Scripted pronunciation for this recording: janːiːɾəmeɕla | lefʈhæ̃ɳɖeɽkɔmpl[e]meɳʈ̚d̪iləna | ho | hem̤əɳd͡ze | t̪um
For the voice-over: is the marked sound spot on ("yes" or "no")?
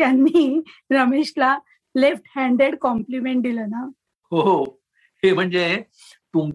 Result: no